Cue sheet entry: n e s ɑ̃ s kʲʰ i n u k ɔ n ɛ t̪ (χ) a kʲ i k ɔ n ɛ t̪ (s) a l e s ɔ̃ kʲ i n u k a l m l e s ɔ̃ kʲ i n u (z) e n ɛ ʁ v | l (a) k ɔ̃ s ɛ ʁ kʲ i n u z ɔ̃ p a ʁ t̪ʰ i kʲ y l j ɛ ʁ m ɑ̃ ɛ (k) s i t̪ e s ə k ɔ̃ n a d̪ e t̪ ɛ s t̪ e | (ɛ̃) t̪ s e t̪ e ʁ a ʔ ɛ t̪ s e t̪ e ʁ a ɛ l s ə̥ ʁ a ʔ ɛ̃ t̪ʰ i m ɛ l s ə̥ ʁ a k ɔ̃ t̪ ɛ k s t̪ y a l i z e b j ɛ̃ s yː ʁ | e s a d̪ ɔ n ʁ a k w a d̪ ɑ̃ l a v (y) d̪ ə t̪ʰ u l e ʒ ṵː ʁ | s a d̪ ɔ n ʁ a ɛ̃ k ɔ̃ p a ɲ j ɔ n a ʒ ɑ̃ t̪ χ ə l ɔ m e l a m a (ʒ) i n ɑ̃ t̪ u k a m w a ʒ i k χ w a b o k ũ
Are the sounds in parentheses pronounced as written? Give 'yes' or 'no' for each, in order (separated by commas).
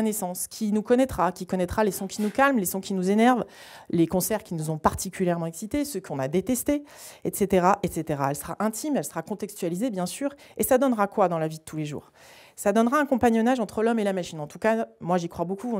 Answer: yes, no, yes, no, yes, no, no, no